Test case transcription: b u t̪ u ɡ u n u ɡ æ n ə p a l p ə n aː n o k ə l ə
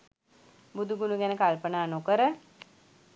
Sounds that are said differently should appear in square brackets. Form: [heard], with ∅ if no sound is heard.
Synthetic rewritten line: b u [d̪] u ɡ u n u ɡ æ n ə [k] a l p ə n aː n o k ə [ɾ] ə